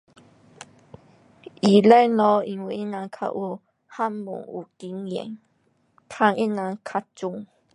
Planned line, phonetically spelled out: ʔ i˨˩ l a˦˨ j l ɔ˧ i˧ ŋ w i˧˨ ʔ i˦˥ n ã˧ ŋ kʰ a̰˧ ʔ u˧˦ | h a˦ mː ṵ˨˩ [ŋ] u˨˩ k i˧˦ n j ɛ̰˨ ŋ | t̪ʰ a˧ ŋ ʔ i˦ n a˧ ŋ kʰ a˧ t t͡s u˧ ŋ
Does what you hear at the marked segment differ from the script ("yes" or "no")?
no